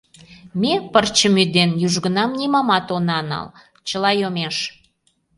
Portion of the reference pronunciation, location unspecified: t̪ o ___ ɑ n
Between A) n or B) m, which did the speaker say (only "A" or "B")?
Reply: A